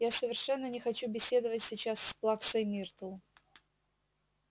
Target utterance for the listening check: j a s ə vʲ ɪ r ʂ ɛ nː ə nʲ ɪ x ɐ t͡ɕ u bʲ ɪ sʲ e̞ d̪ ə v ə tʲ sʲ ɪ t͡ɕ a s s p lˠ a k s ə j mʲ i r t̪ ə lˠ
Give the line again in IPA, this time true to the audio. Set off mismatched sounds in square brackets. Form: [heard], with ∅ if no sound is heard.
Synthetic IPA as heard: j a s ə vʲ ɪ r ʂ ɛ nː ə nʲ ɪ x ɐ t͡ɕ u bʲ ɪ sʲ e̞ d̪ ə v ə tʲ sʲ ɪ t͡ɕ a s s p lˠ a k s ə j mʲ i r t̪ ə lˠ